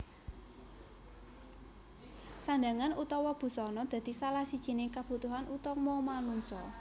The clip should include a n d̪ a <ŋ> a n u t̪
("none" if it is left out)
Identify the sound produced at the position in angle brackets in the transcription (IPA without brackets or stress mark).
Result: ŋ